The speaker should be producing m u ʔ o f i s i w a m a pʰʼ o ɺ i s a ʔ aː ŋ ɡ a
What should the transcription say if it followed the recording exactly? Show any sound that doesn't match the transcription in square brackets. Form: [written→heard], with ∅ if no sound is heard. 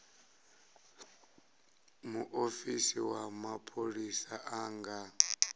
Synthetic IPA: m u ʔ o f i s i w a m a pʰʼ o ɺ i s a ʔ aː ŋ ɡ a